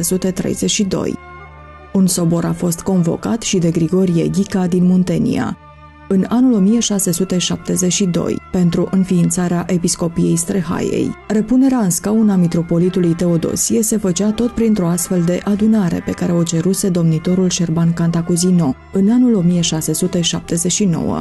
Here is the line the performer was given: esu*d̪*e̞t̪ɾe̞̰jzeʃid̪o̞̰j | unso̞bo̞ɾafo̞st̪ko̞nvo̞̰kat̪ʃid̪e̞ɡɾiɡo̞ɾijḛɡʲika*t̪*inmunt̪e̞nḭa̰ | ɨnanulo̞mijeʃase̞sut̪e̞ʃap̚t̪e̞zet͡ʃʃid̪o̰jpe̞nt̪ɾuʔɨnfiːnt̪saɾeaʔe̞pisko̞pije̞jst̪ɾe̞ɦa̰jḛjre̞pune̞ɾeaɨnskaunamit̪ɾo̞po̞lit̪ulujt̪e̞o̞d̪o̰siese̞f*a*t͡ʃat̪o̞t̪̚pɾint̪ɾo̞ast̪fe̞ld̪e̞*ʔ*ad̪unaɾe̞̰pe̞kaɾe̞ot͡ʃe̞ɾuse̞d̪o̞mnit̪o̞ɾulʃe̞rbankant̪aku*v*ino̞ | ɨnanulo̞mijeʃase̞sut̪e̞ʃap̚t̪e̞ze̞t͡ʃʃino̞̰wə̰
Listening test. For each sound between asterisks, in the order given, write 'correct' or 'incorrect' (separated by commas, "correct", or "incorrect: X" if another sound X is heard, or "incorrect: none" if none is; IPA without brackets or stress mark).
incorrect: t̪, incorrect: d̪, incorrect: ə, correct, incorrect: z